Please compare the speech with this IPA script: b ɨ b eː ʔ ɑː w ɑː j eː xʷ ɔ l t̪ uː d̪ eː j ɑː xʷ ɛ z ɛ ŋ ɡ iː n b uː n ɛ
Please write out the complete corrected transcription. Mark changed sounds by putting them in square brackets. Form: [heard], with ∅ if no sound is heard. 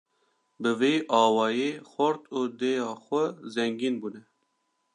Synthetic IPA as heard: b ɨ [v] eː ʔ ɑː w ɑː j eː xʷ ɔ [ɾ] t̪ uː d̪ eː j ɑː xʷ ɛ z ɛ ŋ ɡ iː n b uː n ɛ

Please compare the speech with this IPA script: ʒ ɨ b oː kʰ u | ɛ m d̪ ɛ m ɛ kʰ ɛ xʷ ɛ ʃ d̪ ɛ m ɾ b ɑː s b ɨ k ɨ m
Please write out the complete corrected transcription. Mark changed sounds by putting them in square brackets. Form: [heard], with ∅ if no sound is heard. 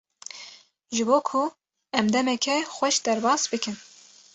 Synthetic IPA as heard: ʒ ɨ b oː kʰ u | ɛ m d̪ ɛ m ɛ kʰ ɛ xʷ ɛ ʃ d̪ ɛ [∅] ɾ b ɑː s b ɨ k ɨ [n]

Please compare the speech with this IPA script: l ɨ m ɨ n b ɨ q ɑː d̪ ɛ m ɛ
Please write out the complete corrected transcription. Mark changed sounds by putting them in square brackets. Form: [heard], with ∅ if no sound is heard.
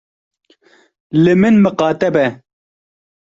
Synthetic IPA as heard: l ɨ m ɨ n [m] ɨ q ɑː [t̪] ɛ [b] ɛ

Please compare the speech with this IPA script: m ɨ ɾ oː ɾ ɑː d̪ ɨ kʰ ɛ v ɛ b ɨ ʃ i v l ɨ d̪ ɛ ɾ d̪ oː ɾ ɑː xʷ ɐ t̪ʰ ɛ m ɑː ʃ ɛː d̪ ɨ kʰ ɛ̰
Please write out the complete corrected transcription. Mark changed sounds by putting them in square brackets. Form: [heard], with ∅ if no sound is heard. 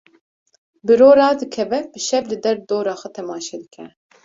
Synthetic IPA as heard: [b] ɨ ɾ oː ɾ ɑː d̪ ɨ kʰ ɛ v ɛ b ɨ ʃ [ɛ] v l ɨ d̪ ɛ ɾ d̪ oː ɾ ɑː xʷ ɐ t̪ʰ ɛ m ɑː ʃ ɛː d̪ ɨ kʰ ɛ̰

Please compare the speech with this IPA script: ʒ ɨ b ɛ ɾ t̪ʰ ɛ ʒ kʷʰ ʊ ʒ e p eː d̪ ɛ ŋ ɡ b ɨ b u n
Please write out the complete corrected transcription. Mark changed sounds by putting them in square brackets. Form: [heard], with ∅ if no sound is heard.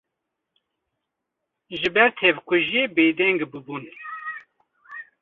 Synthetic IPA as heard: ʒ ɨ b ɛ ɾ t̪ʰ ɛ [v] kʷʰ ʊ ʒ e [b] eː d̪ ɛ ŋ ɡ b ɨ b u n

